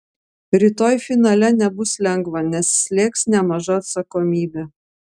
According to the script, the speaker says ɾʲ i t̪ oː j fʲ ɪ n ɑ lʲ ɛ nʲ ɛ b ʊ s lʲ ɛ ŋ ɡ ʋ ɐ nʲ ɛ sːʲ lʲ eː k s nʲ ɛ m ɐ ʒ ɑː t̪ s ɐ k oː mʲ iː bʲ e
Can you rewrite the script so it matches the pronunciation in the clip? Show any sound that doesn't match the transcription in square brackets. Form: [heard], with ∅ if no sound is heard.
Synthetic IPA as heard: ɾʲ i t̪ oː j fʲ ɪ n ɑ lʲ ɛ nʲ ɛ b ʊ s lʲ ɛ ŋ ɡ ʋ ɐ nʲ ɛ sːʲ lʲ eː k s nʲ ɛ m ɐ ʒ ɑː t̪ s ɐ k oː mʲ iː bʲ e